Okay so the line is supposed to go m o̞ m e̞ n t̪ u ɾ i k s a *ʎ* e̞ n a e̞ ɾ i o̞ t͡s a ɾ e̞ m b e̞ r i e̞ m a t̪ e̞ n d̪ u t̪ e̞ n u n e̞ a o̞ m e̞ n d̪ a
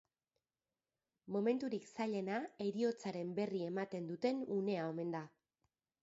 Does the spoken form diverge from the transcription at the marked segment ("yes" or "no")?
no